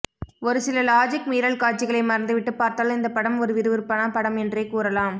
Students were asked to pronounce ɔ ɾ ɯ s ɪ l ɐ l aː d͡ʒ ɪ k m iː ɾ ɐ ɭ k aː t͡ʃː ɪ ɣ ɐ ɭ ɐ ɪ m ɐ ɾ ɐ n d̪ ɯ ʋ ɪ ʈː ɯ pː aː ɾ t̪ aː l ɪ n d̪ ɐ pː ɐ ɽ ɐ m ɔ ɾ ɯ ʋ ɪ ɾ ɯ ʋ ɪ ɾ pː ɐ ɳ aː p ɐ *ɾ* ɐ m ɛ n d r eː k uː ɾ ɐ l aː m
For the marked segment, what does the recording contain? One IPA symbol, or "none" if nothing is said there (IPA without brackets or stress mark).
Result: ɽ